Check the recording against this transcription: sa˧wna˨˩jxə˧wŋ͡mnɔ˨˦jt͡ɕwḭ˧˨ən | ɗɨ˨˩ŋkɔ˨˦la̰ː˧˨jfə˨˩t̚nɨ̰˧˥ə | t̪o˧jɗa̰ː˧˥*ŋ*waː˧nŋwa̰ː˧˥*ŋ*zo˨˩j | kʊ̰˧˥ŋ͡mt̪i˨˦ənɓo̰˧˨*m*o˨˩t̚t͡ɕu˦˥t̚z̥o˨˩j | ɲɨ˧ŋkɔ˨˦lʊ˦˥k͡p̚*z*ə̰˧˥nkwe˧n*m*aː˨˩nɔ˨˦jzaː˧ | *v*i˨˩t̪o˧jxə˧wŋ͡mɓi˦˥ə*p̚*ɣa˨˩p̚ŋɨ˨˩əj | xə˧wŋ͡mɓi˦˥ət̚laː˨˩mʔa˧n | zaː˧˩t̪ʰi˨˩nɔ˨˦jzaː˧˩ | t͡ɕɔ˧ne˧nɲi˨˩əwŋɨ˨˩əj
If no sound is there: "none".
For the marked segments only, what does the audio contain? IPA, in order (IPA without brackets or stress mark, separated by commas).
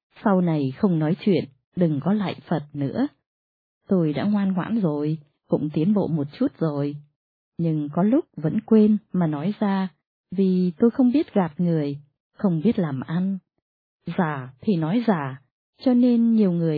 ŋ, n, m, v, m, v, t̚